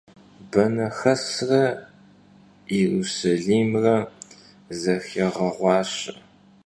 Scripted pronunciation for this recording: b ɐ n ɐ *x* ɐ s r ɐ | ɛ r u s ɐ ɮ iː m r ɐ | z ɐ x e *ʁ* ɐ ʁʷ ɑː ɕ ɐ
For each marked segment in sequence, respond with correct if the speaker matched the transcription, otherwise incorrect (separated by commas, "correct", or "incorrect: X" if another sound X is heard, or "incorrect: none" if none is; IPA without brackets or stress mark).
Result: correct, correct